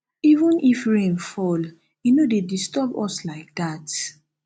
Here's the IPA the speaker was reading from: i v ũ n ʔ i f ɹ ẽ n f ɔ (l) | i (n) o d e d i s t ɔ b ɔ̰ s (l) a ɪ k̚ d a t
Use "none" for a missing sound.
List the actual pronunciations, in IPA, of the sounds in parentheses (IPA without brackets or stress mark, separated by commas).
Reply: l, n, l